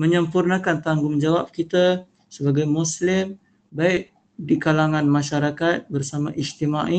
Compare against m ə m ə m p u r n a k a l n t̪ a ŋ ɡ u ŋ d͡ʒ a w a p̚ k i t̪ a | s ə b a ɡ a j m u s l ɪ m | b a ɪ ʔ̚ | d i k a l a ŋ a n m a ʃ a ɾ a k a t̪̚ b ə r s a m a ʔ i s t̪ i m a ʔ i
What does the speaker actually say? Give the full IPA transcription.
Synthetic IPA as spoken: m ə ɲ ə m p u r n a k a n t̪ a ŋ ɡ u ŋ d͡ʒ a w a p̚ k i t̪ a | s ə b a ɡ a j m u s l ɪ m | b a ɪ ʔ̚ | d i k a l a ŋ a n m a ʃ a ɾ a k a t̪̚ b ə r s a m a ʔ i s t̪ i m a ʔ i